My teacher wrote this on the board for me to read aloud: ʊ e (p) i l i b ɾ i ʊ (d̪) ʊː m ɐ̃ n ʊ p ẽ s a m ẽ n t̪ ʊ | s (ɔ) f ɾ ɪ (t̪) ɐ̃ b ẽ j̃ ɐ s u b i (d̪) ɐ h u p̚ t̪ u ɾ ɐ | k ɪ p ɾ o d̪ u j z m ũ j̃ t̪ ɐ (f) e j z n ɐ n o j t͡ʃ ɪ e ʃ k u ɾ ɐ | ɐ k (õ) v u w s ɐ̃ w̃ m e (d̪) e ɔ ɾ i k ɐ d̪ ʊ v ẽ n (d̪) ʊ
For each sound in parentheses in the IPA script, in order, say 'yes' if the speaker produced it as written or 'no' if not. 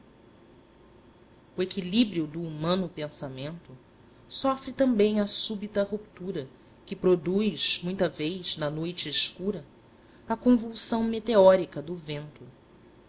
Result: no, yes, yes, yes, no, no, yes, no, no

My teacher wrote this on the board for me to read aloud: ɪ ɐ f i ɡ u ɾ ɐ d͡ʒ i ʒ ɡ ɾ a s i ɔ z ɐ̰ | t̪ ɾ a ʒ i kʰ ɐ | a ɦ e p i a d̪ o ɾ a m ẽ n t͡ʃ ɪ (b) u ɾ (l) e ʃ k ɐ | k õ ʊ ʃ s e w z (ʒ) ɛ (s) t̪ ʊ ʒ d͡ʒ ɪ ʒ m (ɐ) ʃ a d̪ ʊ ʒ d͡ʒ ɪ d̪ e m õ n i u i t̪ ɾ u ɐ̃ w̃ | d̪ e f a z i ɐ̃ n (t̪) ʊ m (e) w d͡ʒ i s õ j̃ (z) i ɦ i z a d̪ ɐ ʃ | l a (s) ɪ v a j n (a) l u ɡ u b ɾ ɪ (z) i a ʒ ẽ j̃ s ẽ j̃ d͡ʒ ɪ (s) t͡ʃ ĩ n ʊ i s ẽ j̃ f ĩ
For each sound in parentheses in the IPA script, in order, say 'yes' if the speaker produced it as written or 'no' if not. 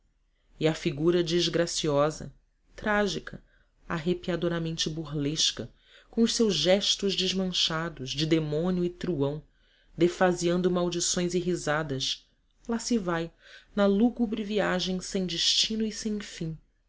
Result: yes, yes, yes, no, no, no, no, yes, yes, no, no, no

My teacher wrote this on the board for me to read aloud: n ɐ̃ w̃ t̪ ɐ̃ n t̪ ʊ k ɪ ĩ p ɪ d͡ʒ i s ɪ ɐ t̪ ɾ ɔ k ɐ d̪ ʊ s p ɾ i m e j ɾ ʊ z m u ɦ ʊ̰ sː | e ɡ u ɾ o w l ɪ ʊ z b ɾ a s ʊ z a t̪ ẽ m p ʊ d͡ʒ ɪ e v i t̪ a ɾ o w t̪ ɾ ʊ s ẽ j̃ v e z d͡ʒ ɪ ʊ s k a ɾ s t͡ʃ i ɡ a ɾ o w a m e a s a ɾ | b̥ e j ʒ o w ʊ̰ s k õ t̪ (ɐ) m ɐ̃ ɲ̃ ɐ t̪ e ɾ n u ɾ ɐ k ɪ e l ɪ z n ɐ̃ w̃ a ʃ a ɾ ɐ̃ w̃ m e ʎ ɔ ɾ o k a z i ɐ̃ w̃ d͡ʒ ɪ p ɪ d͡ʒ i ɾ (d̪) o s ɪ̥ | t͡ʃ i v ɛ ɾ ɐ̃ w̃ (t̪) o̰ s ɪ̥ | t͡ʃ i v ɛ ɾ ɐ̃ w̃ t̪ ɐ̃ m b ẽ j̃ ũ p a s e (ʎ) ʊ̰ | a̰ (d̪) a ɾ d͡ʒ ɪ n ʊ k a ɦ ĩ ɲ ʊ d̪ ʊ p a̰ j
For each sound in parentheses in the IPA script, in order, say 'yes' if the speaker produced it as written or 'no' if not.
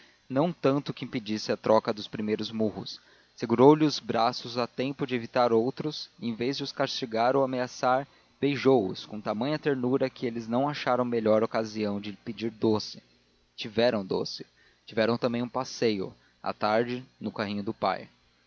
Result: no, yes, no, no, no

